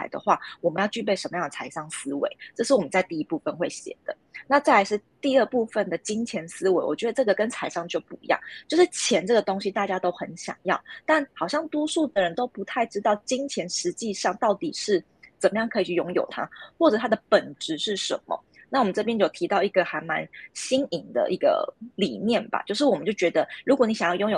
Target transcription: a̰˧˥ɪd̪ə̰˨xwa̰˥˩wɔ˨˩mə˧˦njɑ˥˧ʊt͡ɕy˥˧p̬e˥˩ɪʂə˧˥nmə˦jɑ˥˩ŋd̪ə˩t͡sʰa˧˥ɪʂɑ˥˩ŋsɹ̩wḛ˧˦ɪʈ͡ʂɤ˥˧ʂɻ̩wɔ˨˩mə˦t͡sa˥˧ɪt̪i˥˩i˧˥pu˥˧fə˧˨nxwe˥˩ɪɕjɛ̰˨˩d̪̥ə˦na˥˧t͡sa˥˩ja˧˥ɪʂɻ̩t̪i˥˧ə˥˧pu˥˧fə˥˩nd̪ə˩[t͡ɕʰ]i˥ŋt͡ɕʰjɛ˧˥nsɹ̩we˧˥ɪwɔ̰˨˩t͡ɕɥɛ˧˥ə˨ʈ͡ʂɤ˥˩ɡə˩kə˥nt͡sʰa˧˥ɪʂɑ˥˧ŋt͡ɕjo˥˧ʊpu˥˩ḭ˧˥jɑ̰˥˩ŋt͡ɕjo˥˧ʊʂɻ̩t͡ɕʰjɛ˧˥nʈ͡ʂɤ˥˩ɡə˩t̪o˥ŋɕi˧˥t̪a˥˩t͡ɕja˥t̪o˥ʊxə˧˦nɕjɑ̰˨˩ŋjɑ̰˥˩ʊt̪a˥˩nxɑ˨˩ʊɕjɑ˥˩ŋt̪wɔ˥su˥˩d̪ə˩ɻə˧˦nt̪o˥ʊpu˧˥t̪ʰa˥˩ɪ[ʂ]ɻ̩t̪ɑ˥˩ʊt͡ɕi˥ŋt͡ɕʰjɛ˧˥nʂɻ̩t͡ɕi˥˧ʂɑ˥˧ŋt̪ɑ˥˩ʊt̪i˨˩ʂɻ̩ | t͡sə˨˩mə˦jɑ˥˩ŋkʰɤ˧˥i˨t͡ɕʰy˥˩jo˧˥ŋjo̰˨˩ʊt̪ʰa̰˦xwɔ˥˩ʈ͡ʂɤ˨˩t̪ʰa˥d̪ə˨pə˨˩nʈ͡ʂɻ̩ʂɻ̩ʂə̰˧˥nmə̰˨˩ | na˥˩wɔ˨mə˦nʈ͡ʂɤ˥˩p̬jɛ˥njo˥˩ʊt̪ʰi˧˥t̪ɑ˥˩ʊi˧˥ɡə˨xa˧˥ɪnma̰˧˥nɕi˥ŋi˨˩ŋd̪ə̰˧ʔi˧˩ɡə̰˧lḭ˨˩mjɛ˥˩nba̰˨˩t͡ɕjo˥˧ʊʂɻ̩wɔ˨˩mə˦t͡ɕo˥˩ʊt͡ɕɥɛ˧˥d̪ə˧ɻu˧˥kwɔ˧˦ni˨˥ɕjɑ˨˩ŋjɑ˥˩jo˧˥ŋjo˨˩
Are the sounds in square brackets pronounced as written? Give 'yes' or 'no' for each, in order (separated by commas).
no, no